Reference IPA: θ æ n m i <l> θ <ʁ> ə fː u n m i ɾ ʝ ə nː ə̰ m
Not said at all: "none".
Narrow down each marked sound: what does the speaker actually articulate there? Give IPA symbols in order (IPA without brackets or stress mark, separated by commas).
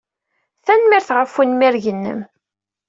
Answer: ɾ, ʁ